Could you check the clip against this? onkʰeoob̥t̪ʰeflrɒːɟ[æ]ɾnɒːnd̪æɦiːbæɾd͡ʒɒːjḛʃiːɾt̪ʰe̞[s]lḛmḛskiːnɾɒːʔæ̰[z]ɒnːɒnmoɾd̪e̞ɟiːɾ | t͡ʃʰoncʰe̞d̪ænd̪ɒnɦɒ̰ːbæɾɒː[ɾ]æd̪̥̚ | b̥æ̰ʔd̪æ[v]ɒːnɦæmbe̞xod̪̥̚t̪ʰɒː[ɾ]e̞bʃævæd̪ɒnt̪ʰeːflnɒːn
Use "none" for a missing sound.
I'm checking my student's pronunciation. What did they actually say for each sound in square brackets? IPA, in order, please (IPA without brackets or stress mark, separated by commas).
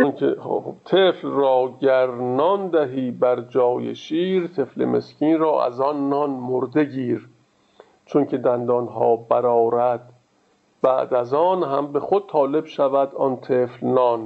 æ, f, z, ɾ, z, l